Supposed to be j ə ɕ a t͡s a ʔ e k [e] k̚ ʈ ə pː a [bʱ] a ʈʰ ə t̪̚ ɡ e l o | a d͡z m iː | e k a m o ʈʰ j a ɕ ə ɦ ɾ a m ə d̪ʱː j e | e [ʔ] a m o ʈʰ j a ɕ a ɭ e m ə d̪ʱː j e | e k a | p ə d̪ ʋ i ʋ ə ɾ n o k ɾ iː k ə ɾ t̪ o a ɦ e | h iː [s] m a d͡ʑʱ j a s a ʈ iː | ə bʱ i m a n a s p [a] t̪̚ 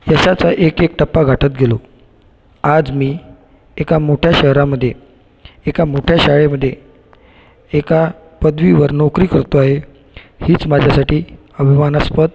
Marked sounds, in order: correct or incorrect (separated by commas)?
correct, incorrect, incorrect, incorrect, incorrect